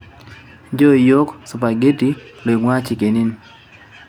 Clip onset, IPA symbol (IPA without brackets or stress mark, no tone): d͡ʒ